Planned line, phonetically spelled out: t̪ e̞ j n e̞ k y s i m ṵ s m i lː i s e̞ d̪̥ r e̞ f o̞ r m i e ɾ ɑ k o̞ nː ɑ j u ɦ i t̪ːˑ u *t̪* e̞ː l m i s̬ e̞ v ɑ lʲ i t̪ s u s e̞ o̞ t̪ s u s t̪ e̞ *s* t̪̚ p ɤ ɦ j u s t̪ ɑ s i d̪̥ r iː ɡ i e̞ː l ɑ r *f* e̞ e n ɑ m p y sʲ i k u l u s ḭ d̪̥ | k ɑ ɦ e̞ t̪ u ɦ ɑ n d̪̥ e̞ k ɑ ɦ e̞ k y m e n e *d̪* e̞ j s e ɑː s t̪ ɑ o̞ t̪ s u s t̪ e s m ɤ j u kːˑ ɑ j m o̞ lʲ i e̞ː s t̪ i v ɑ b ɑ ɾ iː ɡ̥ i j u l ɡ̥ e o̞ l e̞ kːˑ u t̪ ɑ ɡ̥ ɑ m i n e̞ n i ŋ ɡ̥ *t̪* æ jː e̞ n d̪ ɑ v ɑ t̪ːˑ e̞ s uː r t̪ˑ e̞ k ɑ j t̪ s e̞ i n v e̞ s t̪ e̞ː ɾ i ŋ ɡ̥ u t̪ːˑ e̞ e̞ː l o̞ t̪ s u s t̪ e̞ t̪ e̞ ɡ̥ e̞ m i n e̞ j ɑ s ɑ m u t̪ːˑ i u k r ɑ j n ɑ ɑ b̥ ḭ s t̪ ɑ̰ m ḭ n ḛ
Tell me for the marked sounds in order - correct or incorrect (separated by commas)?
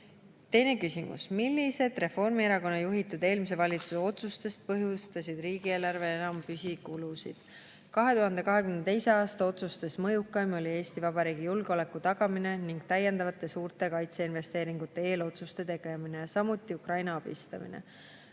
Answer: incorrect, correct, incorrect, incorrect, correct